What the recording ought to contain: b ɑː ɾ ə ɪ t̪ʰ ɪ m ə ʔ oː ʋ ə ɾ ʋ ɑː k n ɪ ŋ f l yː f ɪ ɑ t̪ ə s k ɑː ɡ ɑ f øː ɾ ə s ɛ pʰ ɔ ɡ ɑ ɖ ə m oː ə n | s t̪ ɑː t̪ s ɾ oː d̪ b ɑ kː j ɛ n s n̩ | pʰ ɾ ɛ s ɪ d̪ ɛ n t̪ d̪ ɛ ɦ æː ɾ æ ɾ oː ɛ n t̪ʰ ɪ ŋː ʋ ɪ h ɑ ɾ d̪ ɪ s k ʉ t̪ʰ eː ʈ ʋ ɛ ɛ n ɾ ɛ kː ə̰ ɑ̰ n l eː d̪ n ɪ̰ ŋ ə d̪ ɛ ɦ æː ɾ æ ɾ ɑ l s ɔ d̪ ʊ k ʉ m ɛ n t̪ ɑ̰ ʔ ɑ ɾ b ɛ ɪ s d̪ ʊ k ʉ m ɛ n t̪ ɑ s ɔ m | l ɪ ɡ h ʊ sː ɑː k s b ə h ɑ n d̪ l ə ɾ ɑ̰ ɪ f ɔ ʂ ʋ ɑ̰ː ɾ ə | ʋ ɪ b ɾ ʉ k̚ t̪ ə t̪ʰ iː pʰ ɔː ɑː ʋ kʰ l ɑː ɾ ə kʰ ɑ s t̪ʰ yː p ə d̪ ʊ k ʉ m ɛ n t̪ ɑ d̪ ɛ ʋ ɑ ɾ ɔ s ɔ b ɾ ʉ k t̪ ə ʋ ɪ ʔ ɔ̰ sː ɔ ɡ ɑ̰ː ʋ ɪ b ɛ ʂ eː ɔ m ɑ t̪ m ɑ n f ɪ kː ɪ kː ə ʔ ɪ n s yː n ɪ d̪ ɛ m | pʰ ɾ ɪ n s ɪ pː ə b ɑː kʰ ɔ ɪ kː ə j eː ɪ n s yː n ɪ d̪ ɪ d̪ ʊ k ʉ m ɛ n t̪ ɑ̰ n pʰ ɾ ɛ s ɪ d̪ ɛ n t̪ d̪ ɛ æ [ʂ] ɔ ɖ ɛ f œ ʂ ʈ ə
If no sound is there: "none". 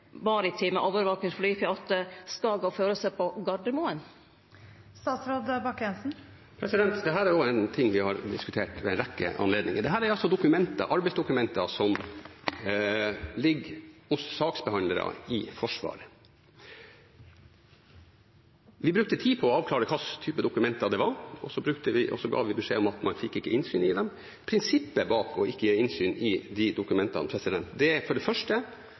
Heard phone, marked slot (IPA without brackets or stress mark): f